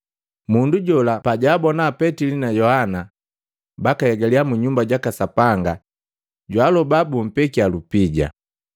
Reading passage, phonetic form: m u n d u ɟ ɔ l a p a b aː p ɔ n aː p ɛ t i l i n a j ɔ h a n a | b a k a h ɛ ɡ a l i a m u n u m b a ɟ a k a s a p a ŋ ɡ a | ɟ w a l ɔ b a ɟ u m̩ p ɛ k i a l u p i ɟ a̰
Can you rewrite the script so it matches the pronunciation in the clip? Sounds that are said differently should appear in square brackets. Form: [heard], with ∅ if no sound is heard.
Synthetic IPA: m u n d u ɟ ɔ l a p a [ɟ] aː [b] ɔ n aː p ɛ t i l i n a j ɔ h a n a | b a k a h ɛ ɡ a l i a m u [ɲ] u m b a ɟ a k a s a p a ŋ ɡ a | ɟ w a l ɔ b a [b] u m̩ p ɛ k i a l u p i ɟ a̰